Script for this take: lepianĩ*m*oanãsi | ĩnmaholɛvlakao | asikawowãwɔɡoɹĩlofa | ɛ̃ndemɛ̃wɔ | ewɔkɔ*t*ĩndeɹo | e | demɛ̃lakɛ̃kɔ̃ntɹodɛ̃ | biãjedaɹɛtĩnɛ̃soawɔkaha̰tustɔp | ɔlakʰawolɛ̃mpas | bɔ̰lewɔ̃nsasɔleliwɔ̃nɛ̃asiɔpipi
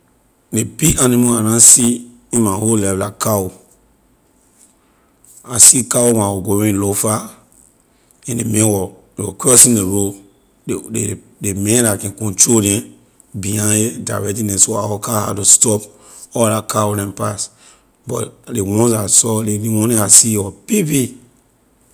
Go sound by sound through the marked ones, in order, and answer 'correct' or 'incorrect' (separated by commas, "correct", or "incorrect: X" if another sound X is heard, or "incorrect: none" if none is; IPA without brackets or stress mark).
correct, incorrect: s